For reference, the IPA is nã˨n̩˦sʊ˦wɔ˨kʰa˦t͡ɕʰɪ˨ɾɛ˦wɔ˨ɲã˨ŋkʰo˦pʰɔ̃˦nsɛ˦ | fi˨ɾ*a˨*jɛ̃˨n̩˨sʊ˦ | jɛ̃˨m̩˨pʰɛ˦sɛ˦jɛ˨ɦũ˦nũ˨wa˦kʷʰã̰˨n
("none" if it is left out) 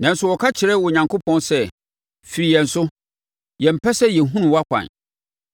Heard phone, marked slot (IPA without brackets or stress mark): i˨